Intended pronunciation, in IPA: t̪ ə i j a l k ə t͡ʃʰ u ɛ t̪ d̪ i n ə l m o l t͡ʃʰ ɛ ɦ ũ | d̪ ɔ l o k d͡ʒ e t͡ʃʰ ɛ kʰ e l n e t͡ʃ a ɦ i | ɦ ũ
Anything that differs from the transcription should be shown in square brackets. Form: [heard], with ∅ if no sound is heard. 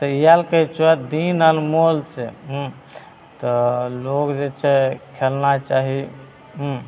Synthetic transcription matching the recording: t̪ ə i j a l k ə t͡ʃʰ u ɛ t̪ d̪ i n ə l m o l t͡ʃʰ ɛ ɦ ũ | [t̪] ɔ l o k d͡ʒ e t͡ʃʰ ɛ kʰ e l n [a] t͡ʃ a ɦ i | ɦ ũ